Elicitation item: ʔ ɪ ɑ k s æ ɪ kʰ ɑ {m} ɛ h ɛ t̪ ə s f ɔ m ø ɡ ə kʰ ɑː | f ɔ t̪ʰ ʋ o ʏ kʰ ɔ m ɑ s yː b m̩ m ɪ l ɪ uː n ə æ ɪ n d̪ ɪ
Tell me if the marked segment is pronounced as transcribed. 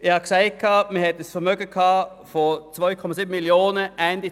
yes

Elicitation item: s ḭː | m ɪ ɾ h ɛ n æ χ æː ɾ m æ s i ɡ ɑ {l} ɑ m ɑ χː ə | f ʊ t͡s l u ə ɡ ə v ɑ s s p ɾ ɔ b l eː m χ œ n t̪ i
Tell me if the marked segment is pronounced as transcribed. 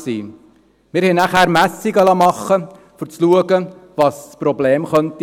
yes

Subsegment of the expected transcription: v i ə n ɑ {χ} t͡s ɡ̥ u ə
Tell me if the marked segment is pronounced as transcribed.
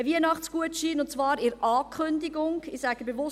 yes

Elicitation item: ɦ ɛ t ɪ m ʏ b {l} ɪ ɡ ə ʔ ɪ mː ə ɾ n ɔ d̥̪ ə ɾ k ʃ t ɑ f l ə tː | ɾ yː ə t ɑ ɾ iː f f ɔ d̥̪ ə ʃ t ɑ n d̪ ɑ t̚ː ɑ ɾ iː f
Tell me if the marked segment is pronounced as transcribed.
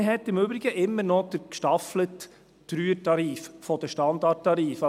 no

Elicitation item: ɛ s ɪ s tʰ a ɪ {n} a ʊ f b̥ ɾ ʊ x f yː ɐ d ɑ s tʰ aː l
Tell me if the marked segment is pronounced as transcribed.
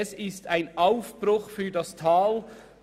yes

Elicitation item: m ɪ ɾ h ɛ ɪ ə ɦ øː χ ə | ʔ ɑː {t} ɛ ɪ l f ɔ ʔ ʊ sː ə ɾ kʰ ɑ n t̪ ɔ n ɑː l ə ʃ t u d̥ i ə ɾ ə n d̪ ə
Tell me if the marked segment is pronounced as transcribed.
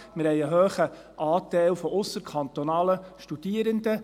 yes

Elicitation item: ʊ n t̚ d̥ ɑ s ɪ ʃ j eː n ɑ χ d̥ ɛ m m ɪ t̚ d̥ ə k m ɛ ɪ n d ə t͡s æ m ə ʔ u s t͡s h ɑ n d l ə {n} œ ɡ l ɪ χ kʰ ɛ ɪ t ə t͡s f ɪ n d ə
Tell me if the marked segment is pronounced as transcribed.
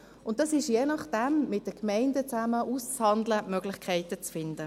no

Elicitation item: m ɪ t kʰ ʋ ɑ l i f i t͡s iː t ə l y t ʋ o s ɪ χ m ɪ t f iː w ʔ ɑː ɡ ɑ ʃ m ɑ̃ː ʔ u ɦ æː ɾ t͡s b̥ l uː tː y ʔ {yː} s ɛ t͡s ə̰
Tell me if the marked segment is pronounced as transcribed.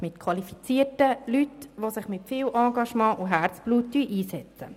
no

